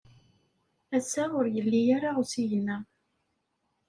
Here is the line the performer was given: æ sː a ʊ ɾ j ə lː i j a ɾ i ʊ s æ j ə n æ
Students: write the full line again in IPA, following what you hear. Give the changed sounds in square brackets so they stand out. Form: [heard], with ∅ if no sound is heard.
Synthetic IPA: æ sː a ʊ ɾ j ə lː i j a ɾ [a] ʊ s [i] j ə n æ